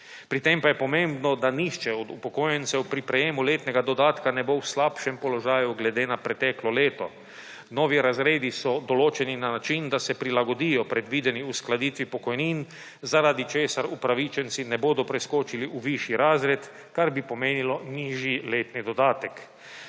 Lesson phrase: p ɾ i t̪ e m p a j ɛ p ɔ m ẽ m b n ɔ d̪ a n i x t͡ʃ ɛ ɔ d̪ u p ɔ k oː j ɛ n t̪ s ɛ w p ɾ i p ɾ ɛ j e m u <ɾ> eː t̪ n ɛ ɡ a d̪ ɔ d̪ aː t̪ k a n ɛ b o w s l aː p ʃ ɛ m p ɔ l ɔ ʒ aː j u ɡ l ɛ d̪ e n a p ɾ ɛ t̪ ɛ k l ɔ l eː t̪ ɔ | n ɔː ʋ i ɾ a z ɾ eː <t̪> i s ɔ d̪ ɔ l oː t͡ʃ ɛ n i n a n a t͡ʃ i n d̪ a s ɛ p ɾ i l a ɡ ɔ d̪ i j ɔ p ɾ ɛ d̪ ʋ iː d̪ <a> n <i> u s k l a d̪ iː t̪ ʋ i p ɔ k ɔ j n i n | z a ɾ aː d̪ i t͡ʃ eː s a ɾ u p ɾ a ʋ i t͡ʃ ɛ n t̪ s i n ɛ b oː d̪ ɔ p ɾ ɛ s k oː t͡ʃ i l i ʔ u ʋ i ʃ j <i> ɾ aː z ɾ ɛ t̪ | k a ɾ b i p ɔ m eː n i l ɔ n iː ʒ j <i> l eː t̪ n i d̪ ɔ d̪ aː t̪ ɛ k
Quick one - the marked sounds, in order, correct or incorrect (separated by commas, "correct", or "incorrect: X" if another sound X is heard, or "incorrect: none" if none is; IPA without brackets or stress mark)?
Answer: incorrect: l, incorrect: d̪, incorrect: ɛ, correct, correct, correct